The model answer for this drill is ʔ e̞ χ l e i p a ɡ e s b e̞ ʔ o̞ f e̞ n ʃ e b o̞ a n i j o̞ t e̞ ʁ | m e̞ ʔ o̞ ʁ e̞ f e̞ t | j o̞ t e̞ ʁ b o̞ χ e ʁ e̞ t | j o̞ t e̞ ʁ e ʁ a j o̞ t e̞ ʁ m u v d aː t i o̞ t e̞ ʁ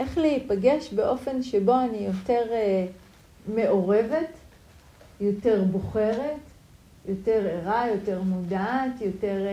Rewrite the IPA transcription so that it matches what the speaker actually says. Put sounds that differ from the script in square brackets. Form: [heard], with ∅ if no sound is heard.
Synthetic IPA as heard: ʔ e̞ χ l e i p a ɡ e [ʃ] b e̞ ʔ o̞ f e̞ n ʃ e b o̞ a n i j o̞ t e̞ ʁ | m e̞ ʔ o̞ ʁ e̞ [v] e̞ t | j o̞ t e̞ ʁ b o̞ χ e ʁ e̞ t | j o̞ t e̞ ʁ e ʁ a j o̞ t e̞ ʁ m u [∅] d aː t [j] o̞ t e̞ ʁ